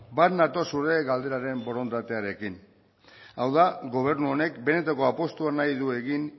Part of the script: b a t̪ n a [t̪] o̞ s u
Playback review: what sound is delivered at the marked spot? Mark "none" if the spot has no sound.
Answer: t̪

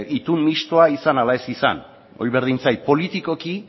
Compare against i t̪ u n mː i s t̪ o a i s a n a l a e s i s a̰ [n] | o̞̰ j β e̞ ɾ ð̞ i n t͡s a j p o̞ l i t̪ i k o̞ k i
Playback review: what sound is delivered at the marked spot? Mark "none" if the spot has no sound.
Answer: n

